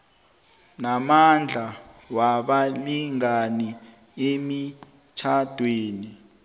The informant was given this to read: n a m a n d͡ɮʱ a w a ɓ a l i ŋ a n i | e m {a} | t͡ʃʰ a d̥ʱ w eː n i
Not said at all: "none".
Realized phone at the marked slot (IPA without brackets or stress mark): i